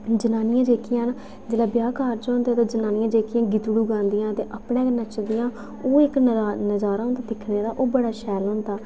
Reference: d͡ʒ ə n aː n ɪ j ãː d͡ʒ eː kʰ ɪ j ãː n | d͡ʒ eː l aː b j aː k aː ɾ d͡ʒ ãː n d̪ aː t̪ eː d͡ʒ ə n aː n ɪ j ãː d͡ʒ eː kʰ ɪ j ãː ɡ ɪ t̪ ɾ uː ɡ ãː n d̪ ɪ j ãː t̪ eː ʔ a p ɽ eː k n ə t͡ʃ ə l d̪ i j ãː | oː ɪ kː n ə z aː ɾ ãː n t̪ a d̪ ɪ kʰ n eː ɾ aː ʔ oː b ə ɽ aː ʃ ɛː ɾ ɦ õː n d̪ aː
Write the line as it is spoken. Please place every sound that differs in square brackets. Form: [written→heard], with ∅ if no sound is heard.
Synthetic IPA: d͡ʒ ə n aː n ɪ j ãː d͡ʒ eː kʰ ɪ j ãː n | d͡ʒ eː l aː b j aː k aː ɾ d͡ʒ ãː n d̪ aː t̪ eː d͡ʒ ə n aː n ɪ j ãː d͡ʒ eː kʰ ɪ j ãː ɡ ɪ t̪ [ɾ→ɽ] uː ɡ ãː n d̪ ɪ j ãː t̪ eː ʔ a p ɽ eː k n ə t͡ʃ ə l d̪ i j ãː | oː ɪ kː n ə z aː ɾ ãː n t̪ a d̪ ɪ kʰ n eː ɾ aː ʔ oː b ə ɽ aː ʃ ɛː [ɾ→l] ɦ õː n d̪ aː